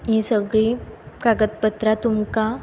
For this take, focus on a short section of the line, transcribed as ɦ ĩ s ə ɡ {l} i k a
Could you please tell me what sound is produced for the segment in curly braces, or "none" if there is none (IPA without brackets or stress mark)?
ɭ